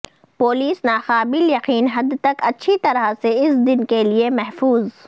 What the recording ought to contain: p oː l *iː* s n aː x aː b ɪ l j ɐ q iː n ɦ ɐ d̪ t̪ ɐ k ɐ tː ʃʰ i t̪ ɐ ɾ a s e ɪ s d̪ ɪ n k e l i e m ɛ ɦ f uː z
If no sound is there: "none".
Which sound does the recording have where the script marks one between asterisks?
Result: iː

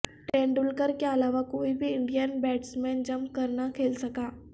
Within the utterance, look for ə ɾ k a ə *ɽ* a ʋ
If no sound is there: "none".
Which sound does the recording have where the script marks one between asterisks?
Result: l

